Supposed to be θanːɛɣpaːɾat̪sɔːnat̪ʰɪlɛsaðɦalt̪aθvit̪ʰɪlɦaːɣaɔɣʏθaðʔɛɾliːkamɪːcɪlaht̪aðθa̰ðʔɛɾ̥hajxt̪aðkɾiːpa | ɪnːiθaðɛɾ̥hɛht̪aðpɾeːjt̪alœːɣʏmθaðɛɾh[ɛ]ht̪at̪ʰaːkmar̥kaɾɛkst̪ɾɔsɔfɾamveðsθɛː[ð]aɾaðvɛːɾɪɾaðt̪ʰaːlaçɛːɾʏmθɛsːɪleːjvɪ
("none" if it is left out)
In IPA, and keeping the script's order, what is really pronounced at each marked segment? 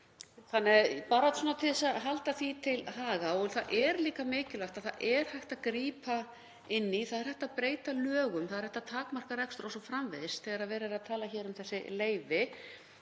ɛ, ɣ

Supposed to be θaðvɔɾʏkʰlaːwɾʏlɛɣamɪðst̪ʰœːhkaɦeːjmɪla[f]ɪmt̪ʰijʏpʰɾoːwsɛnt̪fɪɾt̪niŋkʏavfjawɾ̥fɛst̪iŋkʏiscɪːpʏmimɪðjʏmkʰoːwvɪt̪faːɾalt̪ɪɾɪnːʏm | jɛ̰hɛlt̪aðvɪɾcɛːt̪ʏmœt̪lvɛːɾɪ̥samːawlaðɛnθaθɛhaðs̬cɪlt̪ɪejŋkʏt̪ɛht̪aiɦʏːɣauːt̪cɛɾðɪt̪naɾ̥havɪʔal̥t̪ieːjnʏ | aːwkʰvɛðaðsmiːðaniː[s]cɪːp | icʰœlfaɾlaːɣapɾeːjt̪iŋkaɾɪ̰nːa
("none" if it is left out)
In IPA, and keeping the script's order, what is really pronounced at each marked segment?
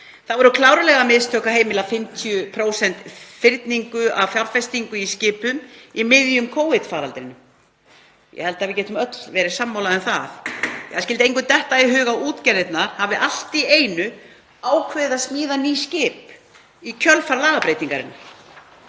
f, s

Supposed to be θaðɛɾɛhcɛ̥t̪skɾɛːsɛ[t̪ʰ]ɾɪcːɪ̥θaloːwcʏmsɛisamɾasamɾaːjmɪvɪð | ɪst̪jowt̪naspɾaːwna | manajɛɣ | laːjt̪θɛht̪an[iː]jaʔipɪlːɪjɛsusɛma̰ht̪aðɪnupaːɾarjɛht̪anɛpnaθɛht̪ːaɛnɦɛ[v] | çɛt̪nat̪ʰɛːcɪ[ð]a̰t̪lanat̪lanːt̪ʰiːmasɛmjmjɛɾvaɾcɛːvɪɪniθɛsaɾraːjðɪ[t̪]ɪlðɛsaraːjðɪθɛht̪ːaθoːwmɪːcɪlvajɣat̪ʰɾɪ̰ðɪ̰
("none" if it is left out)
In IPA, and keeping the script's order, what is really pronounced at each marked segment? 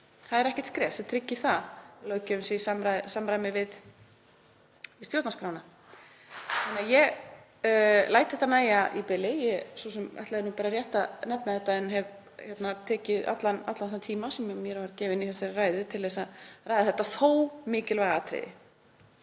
t̪ʰ, aː, v, ð, t̪ʰ

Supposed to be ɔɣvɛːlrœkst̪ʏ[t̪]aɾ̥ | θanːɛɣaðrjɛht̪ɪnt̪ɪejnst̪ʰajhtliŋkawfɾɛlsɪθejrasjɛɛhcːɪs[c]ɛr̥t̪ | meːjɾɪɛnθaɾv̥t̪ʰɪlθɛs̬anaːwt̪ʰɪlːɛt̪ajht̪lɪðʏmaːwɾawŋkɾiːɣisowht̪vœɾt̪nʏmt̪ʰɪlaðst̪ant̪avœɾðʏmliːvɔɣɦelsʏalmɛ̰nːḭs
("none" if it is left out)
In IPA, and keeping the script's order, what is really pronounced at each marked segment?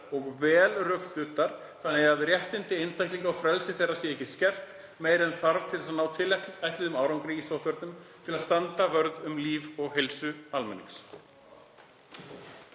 t̪, c

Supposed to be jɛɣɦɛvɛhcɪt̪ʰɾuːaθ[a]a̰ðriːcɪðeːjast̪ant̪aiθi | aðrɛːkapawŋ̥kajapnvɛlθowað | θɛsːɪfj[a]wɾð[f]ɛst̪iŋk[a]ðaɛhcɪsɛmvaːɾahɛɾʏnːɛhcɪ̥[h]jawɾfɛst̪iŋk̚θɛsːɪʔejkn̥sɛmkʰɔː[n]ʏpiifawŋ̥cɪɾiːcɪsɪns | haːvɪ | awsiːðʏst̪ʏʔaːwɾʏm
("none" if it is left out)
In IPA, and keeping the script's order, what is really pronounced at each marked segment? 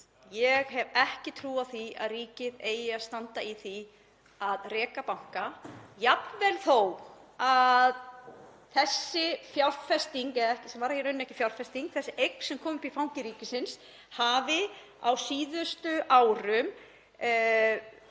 i, a, f, ɛ, f, m

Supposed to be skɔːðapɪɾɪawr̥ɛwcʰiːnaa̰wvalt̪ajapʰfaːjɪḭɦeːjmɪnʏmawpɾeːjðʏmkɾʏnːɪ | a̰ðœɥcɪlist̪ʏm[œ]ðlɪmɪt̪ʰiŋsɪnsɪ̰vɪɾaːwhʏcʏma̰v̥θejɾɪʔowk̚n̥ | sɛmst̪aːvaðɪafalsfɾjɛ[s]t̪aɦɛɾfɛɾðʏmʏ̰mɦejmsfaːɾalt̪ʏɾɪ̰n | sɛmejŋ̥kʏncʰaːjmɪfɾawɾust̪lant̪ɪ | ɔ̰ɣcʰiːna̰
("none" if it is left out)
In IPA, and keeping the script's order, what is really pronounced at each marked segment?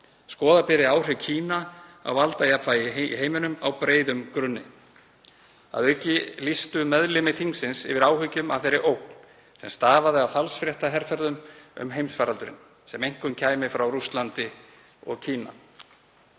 ɛ, h

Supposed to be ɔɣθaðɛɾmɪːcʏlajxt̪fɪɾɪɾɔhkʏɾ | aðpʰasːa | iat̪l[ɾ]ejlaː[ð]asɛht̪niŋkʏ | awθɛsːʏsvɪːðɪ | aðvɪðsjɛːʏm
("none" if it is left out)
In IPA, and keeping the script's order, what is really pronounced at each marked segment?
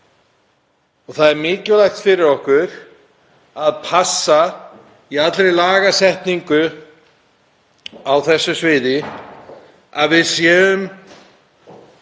ɾ, ɣ

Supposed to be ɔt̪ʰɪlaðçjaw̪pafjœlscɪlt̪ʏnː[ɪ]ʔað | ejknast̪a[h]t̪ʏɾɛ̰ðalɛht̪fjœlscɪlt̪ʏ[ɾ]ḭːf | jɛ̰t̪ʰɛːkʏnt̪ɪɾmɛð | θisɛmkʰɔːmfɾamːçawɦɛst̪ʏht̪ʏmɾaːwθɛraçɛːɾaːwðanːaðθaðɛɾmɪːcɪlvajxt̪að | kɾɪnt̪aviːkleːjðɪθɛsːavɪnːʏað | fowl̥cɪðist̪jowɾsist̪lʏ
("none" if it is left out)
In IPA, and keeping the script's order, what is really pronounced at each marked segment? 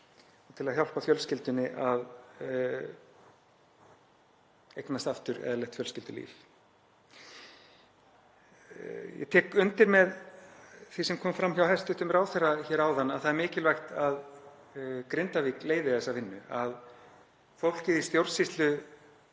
ɪ, f, l

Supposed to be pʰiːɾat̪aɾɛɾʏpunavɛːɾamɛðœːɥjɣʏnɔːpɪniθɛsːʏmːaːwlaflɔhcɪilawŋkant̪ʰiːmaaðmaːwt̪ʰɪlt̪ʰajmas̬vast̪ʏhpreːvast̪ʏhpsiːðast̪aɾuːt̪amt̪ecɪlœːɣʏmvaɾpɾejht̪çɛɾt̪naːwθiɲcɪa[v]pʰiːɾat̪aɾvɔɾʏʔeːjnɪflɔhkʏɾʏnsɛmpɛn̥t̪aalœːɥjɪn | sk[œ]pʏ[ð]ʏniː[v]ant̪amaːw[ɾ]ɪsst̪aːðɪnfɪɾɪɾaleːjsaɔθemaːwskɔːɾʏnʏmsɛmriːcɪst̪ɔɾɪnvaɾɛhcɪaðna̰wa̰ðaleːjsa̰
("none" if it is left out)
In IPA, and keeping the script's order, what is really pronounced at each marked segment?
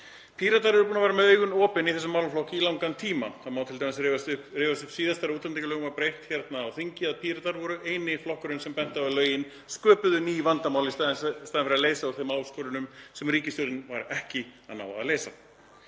ð, œː, ð, v, l

